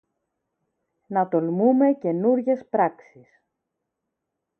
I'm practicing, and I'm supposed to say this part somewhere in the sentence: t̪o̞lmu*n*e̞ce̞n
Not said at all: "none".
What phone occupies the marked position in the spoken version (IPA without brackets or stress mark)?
m